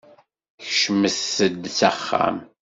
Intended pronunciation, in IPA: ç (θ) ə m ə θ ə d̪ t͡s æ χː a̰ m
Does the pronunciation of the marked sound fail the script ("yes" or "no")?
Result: yes